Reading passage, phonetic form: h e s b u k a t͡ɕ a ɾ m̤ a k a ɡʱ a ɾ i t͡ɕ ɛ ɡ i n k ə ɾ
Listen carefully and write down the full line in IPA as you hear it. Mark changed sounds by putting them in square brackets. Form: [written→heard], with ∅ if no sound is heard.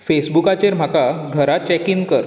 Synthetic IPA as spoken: [h→f] e s b u k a t͡ɕ [a→e] ɾ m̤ a k a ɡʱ [a→ə] ɾ [i→a] t͡ɕ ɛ [ɡ→k] i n k ə ɾ